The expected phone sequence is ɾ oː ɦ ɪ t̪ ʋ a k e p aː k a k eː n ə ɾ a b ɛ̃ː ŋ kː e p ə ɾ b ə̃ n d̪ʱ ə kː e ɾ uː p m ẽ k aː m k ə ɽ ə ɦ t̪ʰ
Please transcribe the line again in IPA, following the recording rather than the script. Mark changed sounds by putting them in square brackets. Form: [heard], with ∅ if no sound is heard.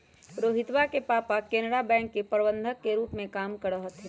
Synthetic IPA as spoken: ɾ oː ɦ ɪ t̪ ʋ a k e p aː [p] a k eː n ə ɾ a b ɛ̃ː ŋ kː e p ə ɾ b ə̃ n d̪ʱ ə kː e ɾ uː p m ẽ k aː m k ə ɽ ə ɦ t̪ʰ